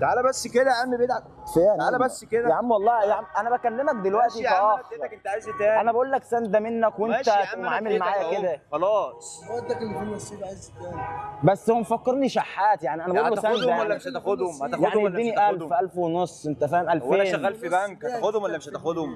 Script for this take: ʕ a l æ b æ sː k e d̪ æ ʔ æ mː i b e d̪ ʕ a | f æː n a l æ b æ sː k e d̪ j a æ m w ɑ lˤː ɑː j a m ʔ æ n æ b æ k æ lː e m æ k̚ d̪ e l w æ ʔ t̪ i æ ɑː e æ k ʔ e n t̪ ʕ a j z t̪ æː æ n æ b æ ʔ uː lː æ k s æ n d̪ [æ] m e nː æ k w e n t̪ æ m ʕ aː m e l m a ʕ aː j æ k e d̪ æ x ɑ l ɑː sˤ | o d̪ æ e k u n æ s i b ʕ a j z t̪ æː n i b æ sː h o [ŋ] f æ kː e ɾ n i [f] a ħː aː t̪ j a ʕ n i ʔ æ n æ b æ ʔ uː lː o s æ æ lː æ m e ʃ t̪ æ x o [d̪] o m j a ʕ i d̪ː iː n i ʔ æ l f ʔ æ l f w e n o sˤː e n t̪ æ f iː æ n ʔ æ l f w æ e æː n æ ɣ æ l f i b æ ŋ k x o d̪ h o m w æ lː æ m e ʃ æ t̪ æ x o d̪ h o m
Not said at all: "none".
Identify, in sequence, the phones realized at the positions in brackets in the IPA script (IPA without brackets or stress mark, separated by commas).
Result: æ, m, ʃ, d̪